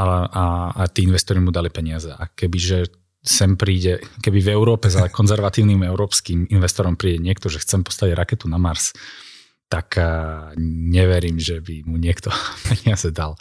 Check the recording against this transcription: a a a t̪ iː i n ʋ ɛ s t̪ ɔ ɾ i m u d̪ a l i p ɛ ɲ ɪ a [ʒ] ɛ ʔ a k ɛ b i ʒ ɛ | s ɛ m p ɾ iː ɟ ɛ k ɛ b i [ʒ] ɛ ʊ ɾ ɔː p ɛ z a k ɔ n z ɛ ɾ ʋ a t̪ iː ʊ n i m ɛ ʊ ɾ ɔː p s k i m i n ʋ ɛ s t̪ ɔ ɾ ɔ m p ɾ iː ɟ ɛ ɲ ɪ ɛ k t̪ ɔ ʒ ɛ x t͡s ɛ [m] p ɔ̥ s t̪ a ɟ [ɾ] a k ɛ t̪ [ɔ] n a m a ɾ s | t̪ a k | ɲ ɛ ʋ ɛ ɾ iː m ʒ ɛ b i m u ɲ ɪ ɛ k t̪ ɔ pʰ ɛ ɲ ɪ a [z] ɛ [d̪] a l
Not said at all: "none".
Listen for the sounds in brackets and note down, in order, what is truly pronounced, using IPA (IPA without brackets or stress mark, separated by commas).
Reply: z, v, m, ɾ, u, z, d̪